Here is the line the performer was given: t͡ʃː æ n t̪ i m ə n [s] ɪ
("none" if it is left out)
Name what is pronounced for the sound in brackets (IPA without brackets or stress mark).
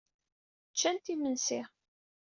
s